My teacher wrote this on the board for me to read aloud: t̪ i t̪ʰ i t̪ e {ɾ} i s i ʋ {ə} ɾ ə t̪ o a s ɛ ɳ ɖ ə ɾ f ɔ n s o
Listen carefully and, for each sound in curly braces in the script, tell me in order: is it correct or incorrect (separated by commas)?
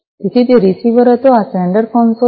correct, correct